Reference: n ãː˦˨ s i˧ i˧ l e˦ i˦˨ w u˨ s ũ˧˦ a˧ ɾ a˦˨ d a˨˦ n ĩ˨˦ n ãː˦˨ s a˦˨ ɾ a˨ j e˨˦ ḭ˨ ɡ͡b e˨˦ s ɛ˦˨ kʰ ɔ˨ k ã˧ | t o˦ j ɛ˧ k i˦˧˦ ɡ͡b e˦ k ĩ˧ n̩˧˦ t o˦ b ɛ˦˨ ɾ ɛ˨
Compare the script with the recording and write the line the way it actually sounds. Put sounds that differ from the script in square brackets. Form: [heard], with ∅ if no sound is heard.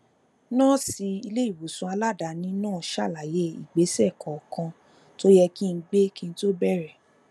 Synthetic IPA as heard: n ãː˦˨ s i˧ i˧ l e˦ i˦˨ w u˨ s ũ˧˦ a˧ [l] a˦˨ d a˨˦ n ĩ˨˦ n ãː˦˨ [ʃ] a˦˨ [l] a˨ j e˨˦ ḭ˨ ɡ͡b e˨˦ s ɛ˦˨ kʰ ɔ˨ k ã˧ | t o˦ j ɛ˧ k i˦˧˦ ɡ͡b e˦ k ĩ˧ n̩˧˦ t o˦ b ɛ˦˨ ɾ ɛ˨